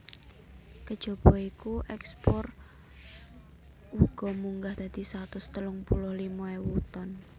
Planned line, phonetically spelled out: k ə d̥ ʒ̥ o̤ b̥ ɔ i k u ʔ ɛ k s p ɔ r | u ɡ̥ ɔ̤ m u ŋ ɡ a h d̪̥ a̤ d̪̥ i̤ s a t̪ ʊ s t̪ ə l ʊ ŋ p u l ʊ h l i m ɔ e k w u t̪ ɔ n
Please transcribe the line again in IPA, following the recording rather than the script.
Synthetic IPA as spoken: k ə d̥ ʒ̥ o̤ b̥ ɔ i k u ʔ ɛ k s p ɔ r | u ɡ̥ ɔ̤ m u ŋ ɡ a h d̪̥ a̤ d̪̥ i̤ s a t̪ ʊ s t̪ ə l ʊ ŋ p u l ʊ h l i m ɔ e w u t̪ ɔ n

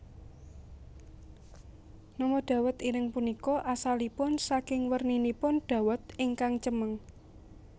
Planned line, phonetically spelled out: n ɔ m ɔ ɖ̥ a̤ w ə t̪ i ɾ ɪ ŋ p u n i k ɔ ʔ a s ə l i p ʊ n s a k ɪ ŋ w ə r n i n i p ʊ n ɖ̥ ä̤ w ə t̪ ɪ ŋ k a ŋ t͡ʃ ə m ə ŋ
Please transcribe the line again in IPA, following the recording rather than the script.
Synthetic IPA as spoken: n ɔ m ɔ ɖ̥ a̤ w ə t̪ i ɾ ɪ ŋ p u n i k ɔ ʔ a s a l i p ʊ n s a k ɪ ŋ w ə r n i n i p ʊ n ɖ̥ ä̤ w ə t̪ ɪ ŋ k a ŋ t͡ʃ ə m ə ŋ

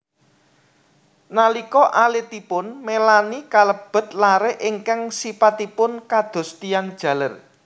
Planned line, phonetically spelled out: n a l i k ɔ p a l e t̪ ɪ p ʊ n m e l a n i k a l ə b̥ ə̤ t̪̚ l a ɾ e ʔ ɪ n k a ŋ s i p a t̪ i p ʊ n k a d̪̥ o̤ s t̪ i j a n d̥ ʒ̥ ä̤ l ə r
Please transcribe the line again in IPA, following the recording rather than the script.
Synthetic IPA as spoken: n a l i k ɔ ʔ a l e t̪ i p ʊ n m e l a n i k a l ə b̥ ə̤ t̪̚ l a ɾ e ʔ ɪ ŋ k a ŋ s i p a t̪ i p ʊ n k a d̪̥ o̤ s t̪ i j a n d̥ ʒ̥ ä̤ l ə r

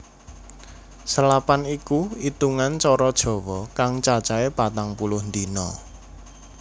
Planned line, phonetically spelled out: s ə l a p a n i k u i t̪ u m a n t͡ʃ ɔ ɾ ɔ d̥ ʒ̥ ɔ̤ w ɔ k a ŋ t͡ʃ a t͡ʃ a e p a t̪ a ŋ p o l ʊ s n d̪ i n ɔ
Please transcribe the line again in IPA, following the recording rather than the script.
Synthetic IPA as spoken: s ə l a p a n i k u i t̪ u ŋ a n t͡ʃ ɔ ɾ ɔ d̥ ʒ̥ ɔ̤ w ɔ k a ŋ t͡ʃ a t͡ʃ a e p a t̪ a ŋ p u l ʊ h n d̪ i n ɔ

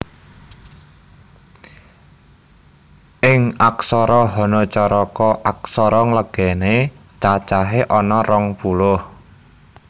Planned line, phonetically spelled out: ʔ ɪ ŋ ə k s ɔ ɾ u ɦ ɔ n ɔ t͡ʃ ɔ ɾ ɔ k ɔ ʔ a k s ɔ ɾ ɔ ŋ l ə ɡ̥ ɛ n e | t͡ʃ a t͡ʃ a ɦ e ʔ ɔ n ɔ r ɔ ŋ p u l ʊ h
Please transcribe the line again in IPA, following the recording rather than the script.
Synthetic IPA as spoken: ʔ ɪ ŋ a k s ɔ ɾ ɔ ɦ ɔ n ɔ t͡ʃ ɔ ɾ ɔ k ɔ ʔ a k s ɔ ɾ ɔ ŋ l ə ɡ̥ ɛ n e | t͡ʃ a t͡ʃ a ɦ e ʔ ɔ n ɔ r ɔ ŋ p u l ʊ h

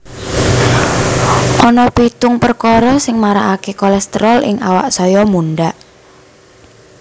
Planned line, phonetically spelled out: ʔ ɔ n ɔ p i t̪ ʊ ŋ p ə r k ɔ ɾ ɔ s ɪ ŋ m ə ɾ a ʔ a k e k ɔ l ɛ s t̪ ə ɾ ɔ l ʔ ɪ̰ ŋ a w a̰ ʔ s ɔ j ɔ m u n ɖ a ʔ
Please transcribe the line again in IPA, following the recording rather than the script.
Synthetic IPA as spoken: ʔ ɔ n ɔ p i t̪ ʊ ŋ p ə r k ɔ ɾ ɔ s ɪ ŋ m a ɾ a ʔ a k e k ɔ l ɛ s t̪ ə ɾ ɔ l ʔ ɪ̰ ŋ a w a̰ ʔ s ɔ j ɔ m u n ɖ a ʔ

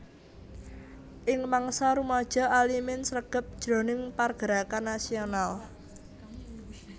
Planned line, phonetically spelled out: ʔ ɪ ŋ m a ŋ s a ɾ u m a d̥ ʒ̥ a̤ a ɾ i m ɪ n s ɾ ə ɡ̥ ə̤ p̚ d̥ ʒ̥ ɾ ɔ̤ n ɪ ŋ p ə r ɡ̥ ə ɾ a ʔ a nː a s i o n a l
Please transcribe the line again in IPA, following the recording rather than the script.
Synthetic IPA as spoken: ʔ ɪ ŋ m a ŋ s a ɾ u m a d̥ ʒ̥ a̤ a l i m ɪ n s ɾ ə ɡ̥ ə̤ p̚ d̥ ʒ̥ ɾ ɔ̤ n ɪ ŋ p a r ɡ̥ ə ɾ a k a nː a s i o n a l

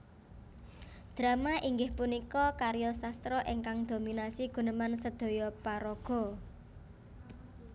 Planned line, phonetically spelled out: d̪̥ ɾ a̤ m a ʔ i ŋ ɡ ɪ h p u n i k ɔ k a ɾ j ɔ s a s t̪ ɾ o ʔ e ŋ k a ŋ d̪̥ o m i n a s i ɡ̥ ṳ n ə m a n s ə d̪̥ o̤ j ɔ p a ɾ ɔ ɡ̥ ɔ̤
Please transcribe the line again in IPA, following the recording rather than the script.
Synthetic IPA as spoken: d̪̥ ɾ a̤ m a ʔ i ŋ ɡ ɪ h p u n i k ɔ k a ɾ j ɔ s a s t̪ ɾ ɔ ʔ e ŋ k a ŋ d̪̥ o m i n a s i ɡ̥ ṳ n ə m a n s ə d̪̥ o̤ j ɔ p a ɾ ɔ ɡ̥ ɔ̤

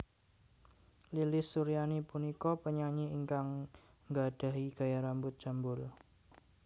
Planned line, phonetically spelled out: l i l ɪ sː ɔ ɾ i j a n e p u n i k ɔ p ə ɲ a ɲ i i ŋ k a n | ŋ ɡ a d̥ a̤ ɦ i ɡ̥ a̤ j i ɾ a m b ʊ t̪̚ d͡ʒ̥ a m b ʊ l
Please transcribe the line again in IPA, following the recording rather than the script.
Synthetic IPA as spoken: l i l ɪ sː u ɾ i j a n i p u n i k ɔ p ə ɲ a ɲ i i ŋ k a ŋ | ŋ ɡ a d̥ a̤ ɦ i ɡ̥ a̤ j a ɾ a m b ʊ t̪̚ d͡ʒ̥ a m b ʊ l

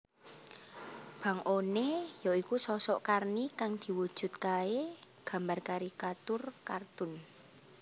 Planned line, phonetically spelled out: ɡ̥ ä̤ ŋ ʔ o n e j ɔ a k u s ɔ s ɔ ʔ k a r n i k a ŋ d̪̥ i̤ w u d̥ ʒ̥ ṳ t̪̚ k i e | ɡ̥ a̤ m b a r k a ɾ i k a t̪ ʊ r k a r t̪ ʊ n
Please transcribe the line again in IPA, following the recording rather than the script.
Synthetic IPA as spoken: b̥ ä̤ ŋ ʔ o n e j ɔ i k u s ɔ s ɔ ʔ k a r n i k a ŋ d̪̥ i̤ w u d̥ ʒ̥ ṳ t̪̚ k a e | ɡ̥ a̤ m b a r k a ɾ i k a t̪ ʊ r k a r t̪ ʊ n

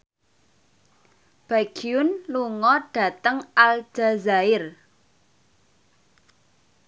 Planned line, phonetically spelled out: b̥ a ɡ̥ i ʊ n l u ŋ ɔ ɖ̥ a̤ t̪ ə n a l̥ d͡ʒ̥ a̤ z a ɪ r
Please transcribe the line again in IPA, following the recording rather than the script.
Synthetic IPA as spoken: b̥ a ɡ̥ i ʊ n l u ŋ ɔ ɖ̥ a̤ t̪ ə ŋ a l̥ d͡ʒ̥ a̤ z a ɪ r

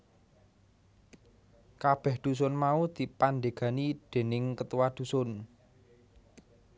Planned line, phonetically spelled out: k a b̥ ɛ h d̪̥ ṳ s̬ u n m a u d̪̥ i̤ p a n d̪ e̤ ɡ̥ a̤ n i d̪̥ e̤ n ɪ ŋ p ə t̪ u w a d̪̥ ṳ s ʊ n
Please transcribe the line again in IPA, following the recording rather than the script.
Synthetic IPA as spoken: k a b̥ ɛ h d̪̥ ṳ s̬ ʊ n m a u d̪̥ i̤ p a n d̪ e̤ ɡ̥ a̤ n i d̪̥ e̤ n ɪ ŋ k ə t̪ u w a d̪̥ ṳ s ʊ n

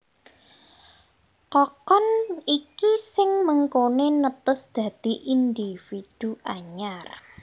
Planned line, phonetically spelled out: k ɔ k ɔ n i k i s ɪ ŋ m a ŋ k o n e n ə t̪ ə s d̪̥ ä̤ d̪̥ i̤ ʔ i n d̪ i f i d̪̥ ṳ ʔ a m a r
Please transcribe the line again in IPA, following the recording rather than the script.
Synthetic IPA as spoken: k ɔ k ɔ n i k i s ɪ ŋ m ə ŋ k o n e n ə t̪ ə s d̪̥ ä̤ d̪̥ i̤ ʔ i n d̪ i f i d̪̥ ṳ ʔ a ɲ a r

